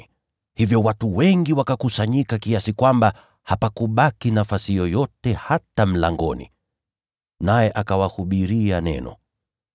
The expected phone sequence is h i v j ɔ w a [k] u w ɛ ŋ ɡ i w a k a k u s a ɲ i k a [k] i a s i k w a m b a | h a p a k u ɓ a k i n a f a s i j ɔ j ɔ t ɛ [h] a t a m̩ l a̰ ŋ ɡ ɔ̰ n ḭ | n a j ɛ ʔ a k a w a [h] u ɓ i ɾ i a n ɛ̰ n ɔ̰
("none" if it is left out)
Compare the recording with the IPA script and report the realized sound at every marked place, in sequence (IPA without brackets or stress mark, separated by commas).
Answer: t, k, h, h